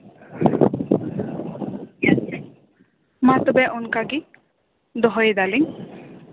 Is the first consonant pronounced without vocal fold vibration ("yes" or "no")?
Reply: no